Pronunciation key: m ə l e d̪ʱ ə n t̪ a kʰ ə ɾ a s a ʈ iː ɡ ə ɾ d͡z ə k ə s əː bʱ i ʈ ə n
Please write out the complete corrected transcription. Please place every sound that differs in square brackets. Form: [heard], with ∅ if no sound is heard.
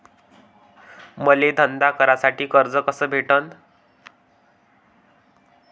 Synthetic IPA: m ə l e d̪ʱ ə n [d̪] a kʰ ə ɾ a s a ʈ iː [k] ə ɾ d͡z ə k ə s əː bʱ [e] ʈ ə n